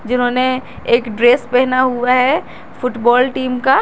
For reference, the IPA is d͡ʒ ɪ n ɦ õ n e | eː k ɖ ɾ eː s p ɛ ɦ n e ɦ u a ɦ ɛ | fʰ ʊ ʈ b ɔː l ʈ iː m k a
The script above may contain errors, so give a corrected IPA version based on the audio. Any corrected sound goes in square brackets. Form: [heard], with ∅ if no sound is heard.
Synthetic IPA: d͡ʒ ɪ n ɦ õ n e | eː k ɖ ɾ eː s p ɛ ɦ n [a] ɦ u a ɦ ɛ | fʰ ʊ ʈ b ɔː l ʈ iː m k a